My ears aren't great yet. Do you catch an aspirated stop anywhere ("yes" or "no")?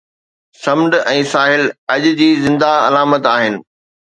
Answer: no